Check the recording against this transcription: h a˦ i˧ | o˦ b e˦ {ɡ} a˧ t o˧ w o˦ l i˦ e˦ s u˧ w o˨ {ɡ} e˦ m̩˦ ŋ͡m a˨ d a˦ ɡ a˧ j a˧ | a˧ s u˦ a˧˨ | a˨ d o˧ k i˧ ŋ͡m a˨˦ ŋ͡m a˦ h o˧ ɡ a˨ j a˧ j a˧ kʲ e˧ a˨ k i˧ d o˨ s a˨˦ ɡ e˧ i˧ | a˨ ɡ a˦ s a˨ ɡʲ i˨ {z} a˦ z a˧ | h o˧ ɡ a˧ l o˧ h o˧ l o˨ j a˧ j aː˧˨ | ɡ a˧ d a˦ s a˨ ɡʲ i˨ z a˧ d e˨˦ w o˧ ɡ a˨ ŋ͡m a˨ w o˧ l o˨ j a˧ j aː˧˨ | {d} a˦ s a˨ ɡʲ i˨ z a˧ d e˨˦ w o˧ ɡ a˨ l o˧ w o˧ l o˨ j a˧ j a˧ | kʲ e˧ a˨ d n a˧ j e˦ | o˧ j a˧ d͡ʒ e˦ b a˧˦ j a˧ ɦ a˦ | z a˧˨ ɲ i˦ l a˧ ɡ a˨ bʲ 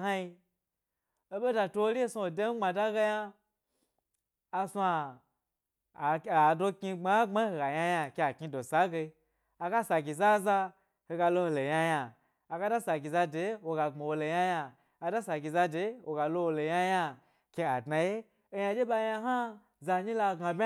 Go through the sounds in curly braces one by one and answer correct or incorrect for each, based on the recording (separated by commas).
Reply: incorrect, incorrect, correct, correct